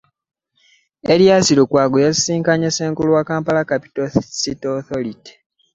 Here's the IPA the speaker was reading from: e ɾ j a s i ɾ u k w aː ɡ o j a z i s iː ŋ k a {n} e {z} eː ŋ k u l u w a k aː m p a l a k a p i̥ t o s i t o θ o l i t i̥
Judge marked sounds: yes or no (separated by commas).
no, no